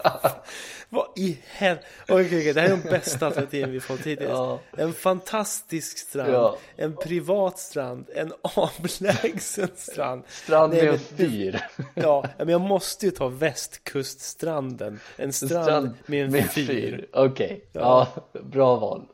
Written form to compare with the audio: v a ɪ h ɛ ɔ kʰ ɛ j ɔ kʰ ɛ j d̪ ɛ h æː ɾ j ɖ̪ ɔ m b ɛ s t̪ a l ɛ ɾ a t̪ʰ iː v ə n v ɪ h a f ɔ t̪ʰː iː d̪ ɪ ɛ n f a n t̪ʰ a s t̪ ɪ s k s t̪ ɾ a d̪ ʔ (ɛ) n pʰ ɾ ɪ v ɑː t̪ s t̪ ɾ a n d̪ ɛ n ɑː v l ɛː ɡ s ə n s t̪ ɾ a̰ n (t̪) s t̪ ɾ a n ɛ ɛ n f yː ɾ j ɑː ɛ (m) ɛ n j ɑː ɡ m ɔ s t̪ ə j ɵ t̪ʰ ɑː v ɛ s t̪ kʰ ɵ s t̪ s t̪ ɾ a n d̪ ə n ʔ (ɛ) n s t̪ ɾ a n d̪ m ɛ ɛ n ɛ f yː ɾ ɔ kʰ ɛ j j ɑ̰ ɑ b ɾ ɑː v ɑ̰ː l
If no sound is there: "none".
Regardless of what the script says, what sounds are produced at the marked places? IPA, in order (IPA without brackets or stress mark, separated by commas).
ɛ, d̪, m, ɛ